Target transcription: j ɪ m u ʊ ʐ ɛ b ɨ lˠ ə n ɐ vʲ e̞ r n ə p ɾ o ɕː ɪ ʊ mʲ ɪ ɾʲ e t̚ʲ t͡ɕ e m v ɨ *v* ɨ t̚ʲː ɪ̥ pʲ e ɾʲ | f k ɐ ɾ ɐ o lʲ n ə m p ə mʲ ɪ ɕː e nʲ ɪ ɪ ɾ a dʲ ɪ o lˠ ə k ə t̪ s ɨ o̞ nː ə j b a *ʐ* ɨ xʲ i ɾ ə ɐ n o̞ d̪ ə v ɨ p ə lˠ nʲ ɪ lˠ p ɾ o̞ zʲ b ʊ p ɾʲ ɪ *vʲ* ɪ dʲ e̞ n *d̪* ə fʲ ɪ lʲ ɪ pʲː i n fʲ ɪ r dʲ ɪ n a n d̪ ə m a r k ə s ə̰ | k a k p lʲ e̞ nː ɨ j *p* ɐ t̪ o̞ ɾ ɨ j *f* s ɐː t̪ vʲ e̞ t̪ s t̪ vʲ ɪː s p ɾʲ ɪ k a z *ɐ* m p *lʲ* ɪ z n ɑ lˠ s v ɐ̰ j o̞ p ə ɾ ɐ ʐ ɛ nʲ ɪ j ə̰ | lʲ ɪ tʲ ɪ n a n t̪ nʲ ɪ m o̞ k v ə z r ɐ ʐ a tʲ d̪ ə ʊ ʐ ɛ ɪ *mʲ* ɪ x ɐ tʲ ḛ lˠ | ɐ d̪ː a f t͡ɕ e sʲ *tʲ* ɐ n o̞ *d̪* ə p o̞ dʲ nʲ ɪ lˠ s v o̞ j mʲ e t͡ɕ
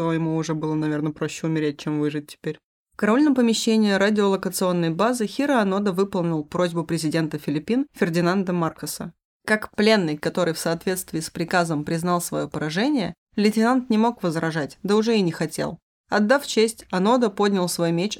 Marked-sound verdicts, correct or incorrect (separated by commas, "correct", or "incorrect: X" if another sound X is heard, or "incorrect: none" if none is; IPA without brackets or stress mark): incorrect: ʐ, incorrect: z, incorrect: zʲ, incorrect: t̪, incorrect: k, correct, incorrect: ə, incorrect: ɾʲ, incorrect: nʲ, correct, correct